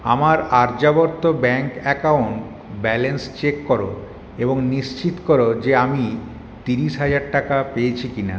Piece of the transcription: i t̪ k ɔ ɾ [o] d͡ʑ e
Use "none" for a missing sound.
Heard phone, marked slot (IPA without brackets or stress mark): o